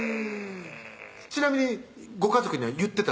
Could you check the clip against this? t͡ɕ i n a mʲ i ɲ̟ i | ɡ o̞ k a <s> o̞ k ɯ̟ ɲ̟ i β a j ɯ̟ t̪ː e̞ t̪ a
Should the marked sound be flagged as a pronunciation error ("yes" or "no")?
yes